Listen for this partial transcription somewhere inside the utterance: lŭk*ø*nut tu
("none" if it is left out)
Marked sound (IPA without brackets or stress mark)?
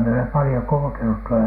e